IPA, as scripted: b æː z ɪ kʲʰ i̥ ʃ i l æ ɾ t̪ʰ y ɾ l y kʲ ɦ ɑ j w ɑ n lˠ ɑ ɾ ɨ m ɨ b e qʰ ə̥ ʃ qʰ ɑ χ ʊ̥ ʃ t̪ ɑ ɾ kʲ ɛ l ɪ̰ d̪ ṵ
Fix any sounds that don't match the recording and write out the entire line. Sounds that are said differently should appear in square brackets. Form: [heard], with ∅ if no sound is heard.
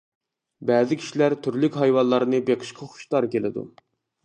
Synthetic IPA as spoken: b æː z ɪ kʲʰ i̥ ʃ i l æ ɾ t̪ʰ y ɾ l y kʲ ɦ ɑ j w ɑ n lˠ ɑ ɾ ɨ [n] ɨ b e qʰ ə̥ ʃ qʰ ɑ χ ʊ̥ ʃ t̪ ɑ ɾ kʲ [e] l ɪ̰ d̪ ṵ